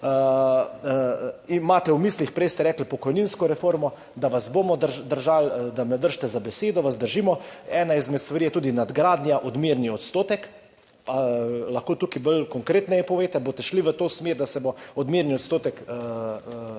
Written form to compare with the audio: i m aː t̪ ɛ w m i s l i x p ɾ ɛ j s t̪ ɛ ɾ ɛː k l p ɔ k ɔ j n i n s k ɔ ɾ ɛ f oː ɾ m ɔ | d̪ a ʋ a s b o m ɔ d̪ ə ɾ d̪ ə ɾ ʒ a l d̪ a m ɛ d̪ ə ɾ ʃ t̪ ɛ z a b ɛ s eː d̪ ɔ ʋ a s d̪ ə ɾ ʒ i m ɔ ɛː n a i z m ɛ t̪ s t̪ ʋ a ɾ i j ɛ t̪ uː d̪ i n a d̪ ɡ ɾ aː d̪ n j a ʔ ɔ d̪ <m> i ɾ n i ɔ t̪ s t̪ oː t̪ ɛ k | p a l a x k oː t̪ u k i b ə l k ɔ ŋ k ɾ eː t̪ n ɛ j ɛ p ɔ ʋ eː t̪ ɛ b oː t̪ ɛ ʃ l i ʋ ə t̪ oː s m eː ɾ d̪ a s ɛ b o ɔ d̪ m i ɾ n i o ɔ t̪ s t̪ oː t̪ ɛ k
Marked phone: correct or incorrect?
correct